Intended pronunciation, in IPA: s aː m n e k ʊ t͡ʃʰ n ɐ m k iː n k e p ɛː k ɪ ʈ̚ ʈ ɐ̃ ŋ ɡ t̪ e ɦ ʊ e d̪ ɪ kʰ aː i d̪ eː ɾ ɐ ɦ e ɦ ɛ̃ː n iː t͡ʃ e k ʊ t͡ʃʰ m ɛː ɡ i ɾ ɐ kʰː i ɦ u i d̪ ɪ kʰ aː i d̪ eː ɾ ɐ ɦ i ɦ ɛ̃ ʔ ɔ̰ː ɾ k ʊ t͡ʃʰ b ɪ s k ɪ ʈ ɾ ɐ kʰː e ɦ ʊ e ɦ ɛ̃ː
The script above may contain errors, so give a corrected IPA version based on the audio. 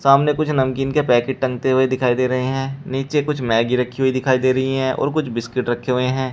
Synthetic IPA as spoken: s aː m n e k ʊ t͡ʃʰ n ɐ m k iː n k e p ɛː k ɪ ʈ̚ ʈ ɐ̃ ŋ ɡ t̪ e ɦ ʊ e d̪ ɪ kʰ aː i d̪ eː ɾ ɐ ɦ e ɦ ɛ̃ː n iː t͡ʃ e k ʊ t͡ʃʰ m ɛː ɡ i ɾ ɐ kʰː i ɦ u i d̪ ɪ kʰ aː i d̪ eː ɾ ɐ ɦ i ɦ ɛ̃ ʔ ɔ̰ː ɾ k ʊ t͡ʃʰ b ɪ s k ɪ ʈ ɾ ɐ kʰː e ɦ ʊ e ɦ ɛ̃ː